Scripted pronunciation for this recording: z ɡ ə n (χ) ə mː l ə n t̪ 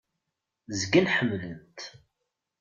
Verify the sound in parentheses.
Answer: incorrect: ħ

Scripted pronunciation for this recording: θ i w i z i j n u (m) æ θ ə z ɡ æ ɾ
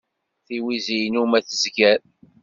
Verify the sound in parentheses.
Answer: correct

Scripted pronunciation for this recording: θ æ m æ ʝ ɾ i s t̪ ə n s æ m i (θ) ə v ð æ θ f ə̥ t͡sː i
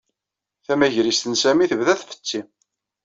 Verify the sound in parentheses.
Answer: correct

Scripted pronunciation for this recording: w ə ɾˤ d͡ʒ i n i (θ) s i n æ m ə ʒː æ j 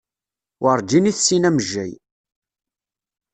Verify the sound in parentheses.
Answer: correct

